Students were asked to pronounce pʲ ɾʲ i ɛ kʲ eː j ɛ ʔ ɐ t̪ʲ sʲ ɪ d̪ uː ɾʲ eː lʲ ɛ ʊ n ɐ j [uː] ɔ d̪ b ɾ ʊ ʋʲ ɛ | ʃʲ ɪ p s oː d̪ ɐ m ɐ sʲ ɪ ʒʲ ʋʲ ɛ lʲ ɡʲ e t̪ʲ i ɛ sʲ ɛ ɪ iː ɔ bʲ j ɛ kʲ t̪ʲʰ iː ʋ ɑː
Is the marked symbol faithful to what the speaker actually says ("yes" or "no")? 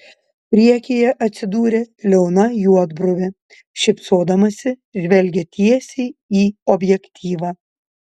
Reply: no